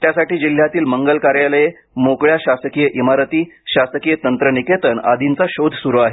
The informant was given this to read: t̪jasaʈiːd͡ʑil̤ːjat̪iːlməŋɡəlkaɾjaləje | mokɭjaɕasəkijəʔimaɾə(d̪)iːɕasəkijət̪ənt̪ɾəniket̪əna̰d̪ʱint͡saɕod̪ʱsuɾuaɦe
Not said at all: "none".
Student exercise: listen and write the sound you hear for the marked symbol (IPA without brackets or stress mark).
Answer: t̪